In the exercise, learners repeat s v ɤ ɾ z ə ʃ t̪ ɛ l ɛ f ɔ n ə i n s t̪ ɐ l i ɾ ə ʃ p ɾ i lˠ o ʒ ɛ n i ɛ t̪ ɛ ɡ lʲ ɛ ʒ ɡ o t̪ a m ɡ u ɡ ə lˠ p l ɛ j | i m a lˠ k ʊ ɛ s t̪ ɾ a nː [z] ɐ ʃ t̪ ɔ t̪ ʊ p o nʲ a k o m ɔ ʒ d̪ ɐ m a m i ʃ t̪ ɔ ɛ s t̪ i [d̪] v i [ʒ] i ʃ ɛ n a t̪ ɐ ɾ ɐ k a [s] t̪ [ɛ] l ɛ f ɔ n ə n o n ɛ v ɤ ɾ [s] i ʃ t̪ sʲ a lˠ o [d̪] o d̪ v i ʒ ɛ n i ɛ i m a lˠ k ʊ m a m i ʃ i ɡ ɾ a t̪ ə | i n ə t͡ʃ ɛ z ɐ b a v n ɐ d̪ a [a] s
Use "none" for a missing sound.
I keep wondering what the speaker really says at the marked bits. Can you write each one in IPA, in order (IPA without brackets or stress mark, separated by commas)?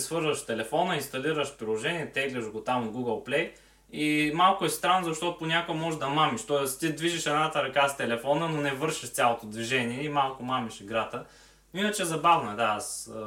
z, d̪, ʒ, s, ɛ, ʃ, t̪, a